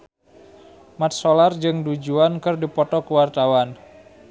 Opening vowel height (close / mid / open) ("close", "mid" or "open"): open